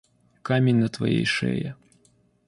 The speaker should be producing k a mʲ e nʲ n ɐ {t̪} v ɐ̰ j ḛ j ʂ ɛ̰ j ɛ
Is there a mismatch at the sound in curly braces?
no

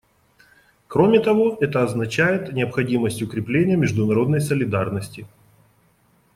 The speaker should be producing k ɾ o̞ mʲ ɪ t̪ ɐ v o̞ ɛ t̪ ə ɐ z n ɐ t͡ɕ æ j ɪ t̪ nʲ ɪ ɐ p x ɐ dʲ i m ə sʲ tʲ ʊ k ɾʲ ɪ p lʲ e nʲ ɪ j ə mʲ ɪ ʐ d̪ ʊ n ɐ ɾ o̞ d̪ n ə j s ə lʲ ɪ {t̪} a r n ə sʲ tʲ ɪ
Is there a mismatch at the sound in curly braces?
yes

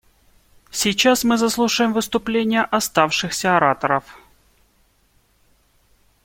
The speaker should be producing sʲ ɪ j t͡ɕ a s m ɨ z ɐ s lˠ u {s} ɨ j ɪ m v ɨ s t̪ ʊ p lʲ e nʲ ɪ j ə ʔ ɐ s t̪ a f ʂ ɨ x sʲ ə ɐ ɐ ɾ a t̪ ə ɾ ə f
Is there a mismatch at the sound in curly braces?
yes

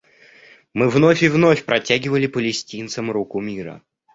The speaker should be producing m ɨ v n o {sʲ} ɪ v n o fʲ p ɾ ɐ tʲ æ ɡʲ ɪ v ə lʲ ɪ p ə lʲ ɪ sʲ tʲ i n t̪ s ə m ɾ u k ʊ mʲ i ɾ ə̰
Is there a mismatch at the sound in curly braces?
yes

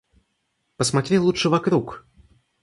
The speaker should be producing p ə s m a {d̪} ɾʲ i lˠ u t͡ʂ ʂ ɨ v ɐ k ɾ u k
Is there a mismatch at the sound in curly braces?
yes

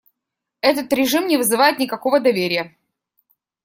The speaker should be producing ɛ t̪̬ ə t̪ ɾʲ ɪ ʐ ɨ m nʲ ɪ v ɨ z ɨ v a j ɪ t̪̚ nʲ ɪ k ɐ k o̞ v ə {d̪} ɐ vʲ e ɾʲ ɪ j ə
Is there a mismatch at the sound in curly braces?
no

